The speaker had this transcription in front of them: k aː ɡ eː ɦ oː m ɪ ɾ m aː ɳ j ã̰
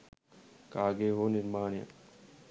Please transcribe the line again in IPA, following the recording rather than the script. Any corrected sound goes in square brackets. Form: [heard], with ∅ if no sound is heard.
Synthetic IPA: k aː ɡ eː ɦ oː [n] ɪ ɾ m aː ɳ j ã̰